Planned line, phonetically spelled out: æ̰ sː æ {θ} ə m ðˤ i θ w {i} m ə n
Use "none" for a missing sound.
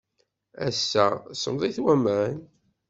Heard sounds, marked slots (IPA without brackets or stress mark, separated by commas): s, æ